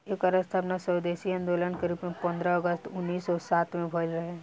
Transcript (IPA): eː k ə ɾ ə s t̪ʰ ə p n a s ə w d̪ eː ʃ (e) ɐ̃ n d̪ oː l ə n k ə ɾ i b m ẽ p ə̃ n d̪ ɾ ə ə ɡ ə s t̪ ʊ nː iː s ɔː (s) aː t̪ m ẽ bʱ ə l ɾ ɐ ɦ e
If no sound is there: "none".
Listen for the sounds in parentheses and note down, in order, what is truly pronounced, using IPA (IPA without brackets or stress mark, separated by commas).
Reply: i, s